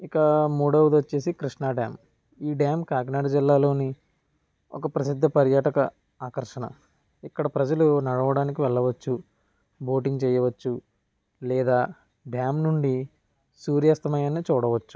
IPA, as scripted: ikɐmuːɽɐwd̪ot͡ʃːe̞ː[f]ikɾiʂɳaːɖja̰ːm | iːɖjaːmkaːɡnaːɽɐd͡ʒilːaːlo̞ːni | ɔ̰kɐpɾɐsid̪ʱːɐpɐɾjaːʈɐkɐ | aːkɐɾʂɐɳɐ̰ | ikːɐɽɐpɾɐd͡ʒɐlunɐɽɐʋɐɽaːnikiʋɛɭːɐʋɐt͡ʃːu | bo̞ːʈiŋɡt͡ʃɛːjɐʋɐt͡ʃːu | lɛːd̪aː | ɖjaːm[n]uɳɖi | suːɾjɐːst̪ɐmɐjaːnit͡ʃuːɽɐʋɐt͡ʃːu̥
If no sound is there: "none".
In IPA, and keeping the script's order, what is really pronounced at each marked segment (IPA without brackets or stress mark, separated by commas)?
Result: s, n